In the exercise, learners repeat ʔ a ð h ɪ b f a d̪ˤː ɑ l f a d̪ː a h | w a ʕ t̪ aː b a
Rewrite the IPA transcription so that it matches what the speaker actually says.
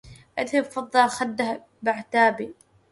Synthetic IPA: ʔ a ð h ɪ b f ɑ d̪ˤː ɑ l x a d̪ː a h | b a ʕ t̪ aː b i